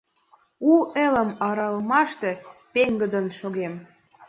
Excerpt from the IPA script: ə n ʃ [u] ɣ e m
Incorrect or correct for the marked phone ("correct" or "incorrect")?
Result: incorrect